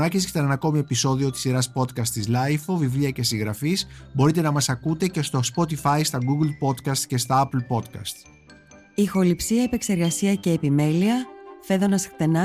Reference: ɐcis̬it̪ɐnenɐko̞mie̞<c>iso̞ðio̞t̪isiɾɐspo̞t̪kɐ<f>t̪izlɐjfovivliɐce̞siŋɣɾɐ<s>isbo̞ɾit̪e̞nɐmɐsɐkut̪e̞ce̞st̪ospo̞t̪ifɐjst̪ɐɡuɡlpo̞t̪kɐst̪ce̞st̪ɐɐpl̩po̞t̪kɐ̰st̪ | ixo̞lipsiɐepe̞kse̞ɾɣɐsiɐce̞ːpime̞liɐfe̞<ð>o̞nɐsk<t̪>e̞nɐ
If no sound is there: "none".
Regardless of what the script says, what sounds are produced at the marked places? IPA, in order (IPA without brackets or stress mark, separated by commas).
p, s, f, ð, t̪